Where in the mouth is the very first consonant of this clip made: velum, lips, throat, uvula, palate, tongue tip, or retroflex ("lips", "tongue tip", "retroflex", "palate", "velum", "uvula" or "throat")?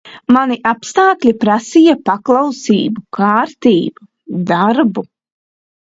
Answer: lips